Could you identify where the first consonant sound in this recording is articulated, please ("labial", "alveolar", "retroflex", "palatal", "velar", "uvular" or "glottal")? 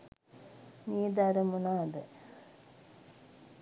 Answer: alveolar